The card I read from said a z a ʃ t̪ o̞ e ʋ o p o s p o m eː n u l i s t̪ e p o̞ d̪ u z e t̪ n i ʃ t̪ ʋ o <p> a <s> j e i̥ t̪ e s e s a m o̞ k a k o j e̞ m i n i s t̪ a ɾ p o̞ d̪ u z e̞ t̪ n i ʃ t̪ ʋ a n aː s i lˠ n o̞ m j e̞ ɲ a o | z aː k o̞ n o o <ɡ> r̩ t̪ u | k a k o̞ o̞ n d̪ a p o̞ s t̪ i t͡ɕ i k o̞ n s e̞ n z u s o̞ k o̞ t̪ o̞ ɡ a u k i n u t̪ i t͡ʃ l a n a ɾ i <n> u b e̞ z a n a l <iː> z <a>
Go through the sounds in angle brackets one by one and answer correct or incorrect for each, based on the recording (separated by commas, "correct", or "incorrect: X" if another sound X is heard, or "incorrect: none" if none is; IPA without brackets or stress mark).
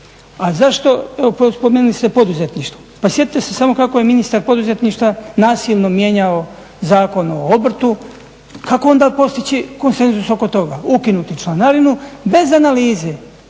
correct, correct, incorrect: b, correct, correct, incorrect: e